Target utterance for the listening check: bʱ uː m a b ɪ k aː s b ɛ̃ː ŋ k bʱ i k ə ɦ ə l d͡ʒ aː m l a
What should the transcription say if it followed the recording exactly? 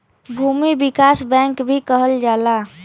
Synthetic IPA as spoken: bʱ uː m i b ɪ k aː s b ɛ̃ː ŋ k bʱ i k ə ɦ ə l d͡ʒ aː l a